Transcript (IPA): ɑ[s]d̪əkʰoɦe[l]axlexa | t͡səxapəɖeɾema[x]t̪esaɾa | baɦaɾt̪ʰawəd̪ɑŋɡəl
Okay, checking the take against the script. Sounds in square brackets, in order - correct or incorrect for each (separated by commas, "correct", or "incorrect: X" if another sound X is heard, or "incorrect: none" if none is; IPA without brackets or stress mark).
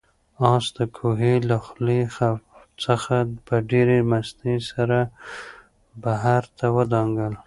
correct, correct, incorrect: s